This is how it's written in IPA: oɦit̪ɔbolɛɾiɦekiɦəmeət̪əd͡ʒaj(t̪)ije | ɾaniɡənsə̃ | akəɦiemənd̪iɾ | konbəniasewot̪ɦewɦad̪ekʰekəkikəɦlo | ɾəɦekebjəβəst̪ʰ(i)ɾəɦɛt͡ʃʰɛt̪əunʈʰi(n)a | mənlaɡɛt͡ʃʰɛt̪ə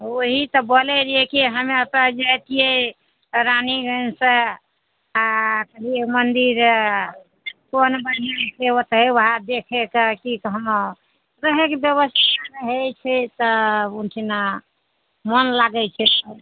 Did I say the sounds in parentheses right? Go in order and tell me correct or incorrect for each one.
correct, incorrect: a, correct

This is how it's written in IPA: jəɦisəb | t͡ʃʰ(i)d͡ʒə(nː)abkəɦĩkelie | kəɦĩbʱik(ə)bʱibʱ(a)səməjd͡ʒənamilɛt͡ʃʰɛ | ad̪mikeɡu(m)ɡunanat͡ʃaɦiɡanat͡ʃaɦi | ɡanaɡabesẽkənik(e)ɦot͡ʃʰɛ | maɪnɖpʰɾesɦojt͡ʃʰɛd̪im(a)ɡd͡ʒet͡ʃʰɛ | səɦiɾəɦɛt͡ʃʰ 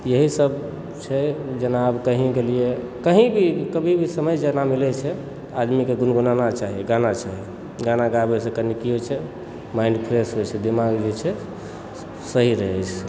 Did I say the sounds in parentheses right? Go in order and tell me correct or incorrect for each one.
incorrect: ɛ, incorrect: n, correct, incorrect: i, incorrect: n, incorrect: i, correct

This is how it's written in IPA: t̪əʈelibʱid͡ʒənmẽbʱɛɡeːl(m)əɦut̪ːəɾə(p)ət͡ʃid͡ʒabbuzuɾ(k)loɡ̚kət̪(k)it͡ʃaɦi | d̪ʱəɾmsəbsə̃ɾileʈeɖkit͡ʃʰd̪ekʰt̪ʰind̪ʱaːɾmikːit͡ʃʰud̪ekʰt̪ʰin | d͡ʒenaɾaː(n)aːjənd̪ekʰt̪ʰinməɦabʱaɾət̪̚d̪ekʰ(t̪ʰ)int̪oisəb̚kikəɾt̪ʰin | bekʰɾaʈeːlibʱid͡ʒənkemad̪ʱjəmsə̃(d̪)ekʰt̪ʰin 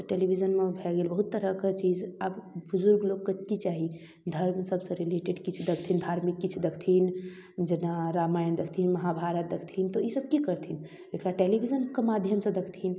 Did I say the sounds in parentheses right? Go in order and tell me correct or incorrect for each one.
incorrect: b, incorrect: k, incorrect: ɡ, correct, incorrect: m, correct, correct

